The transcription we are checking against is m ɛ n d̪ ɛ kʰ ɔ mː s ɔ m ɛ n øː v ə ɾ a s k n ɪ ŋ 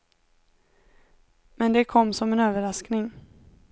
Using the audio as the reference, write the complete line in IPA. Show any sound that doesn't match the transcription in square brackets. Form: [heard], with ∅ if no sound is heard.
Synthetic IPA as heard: m ɛ n d̪ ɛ kʰ ɔ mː s ɔ m ɛ n øː v ə ɾ a s k n ɪ ŋ